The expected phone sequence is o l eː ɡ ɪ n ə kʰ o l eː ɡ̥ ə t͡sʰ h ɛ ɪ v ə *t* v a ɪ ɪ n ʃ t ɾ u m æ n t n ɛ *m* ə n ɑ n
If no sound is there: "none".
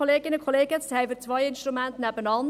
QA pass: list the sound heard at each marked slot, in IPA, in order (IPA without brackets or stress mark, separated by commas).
t͡s, b